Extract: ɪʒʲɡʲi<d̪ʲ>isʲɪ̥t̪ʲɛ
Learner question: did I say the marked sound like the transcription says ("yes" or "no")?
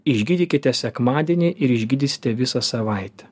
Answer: yes